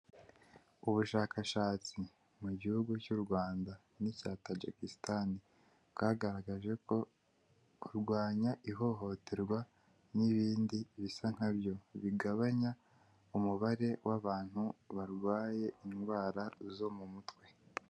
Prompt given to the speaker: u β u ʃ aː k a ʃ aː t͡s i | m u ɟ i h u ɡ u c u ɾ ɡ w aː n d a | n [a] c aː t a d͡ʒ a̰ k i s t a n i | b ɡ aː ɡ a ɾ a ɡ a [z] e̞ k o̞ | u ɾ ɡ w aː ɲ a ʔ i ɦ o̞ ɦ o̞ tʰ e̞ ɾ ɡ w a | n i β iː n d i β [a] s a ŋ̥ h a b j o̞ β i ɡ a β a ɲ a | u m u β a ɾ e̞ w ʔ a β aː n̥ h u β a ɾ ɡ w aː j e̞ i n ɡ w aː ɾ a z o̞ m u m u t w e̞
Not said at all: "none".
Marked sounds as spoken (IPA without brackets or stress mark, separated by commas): i, ʒ, i